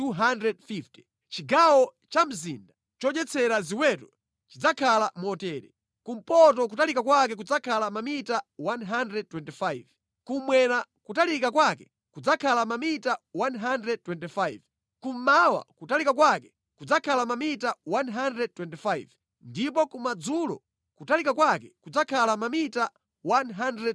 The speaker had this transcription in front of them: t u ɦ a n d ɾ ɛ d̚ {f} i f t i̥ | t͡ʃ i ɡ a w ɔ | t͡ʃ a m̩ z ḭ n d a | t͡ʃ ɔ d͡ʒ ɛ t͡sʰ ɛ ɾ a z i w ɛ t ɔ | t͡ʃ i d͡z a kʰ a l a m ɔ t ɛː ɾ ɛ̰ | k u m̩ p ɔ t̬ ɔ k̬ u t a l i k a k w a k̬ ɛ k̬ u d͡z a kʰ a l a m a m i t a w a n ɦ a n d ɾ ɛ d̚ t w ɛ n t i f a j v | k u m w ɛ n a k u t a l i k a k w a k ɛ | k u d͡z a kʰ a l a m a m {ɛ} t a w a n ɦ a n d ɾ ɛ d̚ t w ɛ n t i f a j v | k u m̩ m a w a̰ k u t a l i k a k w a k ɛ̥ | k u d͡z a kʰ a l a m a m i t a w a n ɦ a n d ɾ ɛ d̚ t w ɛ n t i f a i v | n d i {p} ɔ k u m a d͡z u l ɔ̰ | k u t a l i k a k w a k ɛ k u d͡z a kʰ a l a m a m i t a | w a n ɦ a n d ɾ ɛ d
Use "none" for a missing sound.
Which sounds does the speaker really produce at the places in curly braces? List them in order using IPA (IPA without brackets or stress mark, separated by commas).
f, i, p